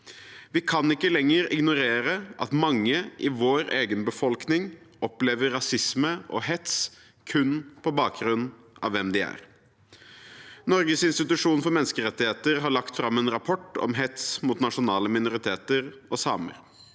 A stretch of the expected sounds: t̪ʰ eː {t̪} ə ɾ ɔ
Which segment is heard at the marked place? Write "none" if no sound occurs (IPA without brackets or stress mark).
t̪